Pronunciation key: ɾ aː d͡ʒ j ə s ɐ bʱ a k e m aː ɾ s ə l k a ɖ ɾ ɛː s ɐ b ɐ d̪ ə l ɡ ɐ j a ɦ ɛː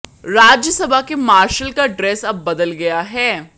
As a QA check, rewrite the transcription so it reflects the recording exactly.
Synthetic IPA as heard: ɾ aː d͡ʒ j ə s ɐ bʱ a k e m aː ɾ ʃ ə l k a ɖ ɾ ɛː s ɐ bː ɐ d̪ ə l ɡ ɐ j a ɦ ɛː